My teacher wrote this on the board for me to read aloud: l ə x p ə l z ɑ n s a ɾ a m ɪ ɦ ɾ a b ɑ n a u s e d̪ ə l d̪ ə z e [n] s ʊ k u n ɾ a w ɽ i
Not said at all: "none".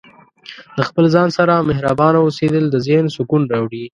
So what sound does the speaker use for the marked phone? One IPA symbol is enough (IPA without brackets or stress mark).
n